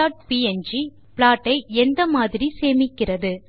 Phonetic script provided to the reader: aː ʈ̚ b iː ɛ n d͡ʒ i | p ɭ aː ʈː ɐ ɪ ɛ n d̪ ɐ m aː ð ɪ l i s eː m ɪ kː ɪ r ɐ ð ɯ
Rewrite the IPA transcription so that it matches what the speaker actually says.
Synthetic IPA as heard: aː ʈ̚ p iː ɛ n d͡ʒ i | p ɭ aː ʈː ɐ ɪ ɛ n d̪ ɐ m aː ð ɪ ɾ i s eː m ɪ kː ɪ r ɐ ð ɯ